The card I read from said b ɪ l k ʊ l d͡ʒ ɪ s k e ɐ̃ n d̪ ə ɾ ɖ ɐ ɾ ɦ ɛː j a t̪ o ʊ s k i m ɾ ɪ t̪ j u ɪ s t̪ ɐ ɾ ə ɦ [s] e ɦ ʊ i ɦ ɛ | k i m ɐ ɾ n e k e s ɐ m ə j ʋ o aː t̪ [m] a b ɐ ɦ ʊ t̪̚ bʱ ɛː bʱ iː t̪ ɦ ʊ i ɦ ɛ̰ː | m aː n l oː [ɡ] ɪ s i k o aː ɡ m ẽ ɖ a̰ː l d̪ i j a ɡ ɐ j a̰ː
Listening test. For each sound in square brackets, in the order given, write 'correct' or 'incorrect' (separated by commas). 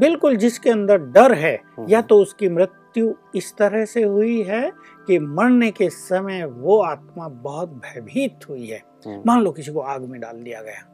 correct, correct, incorrect